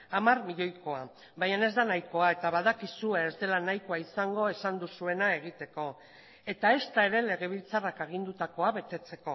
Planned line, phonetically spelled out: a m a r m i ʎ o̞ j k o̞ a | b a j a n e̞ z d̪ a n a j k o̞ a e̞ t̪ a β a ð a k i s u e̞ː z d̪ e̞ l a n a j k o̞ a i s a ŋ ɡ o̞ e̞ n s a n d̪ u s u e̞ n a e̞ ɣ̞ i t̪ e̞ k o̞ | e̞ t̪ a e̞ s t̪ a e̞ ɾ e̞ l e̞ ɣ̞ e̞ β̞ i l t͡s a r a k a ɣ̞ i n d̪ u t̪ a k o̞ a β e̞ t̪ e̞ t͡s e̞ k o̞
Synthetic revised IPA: a m a r m i ʎ o̞ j k o̞ a | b a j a n e̞ z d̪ a n a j k o̞ a e̞ t̪ a β a ð a k i s u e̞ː z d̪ e̞ l a n a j k o̞ a i s a ŋ ɡ o̞ e̞ s a n d̪ u s u e̞ n a e̞ ɣ̞ i t̪ e̞ k o̞ | e̞ t̪ a e̞ s t̪ a e̞ ɾ e̞ l e̞ ɣ̞ e̞ β̞ i l t͡s a r a k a ɣ̞ i n d̪ u t̪ a k o̞ a β e̞ t̪ e̞ t͡s e̞ k o̞